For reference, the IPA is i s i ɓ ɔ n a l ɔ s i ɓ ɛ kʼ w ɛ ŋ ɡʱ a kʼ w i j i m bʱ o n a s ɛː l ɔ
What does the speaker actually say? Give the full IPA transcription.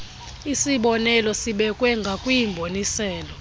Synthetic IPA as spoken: i s i ɓ ɔ n ɛ l ɔ s i ɓ ɛ kʼ w ɛ ŋ ɡʱ a kʼ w i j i m bʱ o n i s ɛː l ɔ